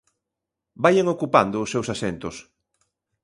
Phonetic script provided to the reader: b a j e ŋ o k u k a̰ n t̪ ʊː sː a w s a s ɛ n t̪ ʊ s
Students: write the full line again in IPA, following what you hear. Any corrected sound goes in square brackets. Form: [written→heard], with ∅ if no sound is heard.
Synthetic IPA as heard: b a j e ŋ o k u [k→p] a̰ n [t̪→d̪] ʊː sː [a→e] w s a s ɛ n t̪ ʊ s